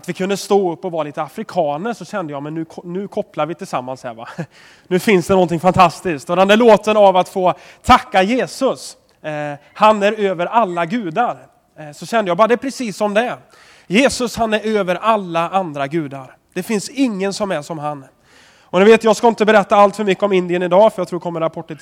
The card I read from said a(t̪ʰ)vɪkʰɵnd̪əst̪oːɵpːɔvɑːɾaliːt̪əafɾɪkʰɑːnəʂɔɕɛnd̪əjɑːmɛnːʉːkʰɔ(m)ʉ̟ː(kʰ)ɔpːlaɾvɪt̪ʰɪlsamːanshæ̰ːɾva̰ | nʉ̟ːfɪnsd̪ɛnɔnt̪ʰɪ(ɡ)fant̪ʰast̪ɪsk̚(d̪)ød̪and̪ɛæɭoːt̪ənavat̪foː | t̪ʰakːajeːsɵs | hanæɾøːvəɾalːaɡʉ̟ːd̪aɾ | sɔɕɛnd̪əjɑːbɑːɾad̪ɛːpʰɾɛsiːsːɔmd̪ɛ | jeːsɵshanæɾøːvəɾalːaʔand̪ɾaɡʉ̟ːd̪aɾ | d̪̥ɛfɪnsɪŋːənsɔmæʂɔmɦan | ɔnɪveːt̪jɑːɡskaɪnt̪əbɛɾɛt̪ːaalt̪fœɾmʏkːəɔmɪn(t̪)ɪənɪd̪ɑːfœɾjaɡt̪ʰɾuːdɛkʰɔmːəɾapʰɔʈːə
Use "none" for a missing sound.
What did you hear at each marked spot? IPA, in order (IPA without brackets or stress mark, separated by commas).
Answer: t̪, n, kʰ, ŋ, t̪, d̪